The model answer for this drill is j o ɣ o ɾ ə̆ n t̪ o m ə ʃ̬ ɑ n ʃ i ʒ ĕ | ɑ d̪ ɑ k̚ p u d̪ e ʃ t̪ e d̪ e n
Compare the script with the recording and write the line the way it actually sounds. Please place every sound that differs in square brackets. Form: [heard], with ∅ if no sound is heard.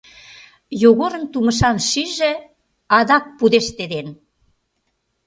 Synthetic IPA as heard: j o ɣ o ɾ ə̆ n t̪ [u] m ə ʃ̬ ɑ n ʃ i ʒ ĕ | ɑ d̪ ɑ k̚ p u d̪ e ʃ t̪ e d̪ e n